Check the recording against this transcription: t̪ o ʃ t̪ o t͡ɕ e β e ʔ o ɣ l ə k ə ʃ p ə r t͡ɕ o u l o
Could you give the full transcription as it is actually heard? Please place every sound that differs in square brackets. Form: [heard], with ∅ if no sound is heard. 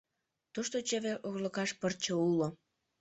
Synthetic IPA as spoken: t̪ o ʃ t̪ o t͡ɕ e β e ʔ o ɣ l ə k [ɑ] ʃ p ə r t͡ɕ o u l o